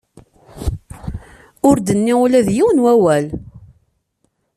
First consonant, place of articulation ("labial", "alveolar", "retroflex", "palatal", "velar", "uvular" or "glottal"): alveolar